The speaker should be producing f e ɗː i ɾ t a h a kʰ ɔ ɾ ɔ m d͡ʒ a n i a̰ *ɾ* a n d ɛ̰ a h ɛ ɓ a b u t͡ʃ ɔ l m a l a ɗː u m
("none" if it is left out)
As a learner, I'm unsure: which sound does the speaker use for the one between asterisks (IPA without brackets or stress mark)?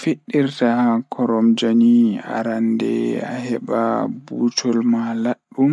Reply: ɾ